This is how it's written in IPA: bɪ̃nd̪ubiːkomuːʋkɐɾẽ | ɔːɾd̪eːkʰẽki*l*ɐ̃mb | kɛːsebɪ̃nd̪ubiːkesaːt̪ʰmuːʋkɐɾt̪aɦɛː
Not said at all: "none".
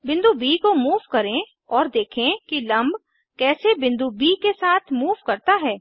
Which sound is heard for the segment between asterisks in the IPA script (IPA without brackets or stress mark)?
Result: l